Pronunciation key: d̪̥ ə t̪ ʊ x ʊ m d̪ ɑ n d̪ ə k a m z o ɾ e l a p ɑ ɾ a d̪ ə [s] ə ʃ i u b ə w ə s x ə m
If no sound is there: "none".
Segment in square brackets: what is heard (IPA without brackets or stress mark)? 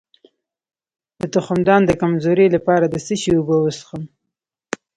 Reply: s